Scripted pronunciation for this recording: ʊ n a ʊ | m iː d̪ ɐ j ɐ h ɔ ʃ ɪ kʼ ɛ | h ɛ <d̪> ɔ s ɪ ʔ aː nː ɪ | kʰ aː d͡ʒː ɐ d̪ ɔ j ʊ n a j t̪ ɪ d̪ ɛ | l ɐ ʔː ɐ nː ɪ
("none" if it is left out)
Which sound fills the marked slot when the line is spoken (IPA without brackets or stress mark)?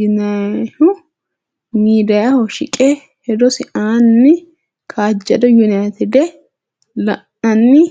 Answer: d̪